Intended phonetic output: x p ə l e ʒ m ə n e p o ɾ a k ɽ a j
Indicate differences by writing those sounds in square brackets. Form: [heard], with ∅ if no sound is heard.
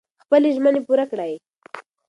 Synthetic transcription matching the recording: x p ə l e ʒ m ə n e p [u] ɾ a k ɽ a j